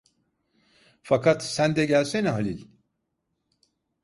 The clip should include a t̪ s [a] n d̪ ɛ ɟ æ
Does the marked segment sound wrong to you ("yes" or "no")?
yes